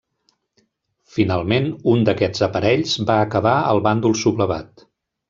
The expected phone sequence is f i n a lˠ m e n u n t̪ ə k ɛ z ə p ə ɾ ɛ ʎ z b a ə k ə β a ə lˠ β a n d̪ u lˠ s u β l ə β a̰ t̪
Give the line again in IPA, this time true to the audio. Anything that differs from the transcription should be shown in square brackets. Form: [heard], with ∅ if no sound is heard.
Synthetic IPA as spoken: f i n a lˠ m e n u n [d̪] ə k ɛ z ə p ə ɾ ɛ ʎ z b a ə k ə β a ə lˠ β a n d̪ u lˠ s u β l ə β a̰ t̪